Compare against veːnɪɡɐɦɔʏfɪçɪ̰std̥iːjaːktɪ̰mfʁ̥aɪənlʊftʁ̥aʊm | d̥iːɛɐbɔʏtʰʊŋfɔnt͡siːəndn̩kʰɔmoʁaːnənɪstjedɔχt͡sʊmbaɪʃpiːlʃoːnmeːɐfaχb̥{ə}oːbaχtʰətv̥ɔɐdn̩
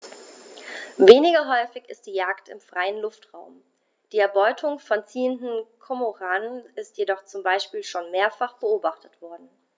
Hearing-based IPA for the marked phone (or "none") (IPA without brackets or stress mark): ə